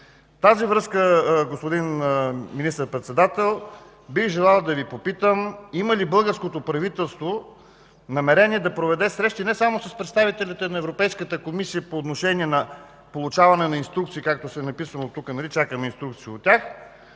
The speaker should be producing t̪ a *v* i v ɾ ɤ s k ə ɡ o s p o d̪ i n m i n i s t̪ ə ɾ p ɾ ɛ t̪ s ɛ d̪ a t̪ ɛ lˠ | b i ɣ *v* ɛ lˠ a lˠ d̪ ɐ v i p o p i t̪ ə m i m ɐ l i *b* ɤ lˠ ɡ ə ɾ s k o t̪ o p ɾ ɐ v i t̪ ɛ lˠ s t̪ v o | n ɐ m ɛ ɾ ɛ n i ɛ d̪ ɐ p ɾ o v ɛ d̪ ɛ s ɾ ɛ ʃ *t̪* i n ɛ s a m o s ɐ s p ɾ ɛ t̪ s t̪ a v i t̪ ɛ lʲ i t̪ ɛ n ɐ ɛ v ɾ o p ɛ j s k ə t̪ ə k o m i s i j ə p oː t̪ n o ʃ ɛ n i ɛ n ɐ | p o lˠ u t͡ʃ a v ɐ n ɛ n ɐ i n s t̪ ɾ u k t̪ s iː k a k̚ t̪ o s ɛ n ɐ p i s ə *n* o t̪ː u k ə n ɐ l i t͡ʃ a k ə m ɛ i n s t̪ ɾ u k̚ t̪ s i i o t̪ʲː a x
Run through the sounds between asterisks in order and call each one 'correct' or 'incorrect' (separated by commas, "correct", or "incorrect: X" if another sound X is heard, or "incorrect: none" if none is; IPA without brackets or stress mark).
incorrect: z, incorrect: ʒ, correct, correct, correct